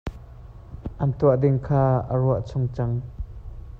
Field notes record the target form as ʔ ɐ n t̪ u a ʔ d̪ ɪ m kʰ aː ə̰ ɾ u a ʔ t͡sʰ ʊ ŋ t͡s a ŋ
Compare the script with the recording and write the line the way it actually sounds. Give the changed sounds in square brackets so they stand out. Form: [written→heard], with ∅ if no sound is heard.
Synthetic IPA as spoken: ʔ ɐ n t̪ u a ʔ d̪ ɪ [m→ŋ] kʰ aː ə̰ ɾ u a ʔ t͡sʰ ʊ ŋ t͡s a ŋ